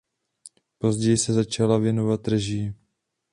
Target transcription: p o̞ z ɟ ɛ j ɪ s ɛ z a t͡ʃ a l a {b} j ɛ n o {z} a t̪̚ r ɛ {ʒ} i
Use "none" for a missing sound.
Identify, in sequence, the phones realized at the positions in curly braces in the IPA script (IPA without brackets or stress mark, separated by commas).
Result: v, v, ʒ